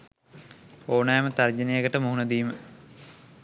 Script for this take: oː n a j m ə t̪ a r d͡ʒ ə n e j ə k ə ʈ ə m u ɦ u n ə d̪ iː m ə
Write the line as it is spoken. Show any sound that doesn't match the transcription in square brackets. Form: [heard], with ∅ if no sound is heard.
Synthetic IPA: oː n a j m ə t̪ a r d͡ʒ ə n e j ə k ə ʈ ə m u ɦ u n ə d̪ iː m ə